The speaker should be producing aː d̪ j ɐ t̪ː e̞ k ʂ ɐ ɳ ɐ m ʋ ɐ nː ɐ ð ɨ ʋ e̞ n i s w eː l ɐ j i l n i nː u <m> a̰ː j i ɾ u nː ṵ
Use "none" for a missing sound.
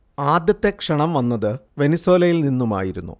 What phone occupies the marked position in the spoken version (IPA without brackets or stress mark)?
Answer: m